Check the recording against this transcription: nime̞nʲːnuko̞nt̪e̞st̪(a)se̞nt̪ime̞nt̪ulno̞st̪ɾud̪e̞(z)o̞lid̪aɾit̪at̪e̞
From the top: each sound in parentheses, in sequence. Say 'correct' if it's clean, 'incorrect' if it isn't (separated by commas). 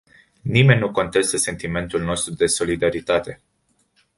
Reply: incorrect, incorrect